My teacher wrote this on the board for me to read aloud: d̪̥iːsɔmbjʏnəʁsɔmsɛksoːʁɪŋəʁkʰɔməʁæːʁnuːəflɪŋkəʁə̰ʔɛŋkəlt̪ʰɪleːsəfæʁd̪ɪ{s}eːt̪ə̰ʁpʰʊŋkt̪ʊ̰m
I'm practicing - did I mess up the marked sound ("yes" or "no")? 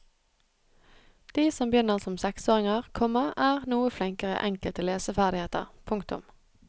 yes